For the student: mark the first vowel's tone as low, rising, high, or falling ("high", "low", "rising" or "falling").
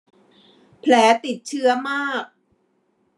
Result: rising